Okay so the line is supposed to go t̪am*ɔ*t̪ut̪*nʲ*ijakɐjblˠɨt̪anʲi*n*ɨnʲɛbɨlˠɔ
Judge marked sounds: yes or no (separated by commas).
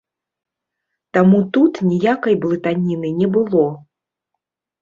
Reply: no, yes, yes